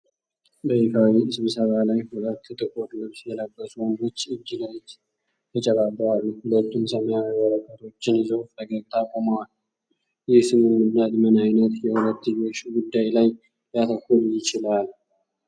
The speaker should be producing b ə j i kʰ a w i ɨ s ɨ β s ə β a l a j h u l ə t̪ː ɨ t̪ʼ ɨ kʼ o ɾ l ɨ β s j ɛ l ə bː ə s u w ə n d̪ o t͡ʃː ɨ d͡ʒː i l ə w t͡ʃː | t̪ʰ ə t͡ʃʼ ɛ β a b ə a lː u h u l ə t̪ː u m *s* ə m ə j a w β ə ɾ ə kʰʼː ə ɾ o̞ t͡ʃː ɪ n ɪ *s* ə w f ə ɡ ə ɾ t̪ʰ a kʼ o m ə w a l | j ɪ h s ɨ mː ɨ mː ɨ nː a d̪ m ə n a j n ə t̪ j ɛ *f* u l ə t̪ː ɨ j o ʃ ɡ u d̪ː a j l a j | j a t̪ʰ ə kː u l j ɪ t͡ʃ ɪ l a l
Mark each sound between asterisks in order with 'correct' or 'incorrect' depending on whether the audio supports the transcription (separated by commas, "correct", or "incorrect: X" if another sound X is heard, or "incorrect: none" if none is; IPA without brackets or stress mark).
correct, incorrect: z, incorrect: h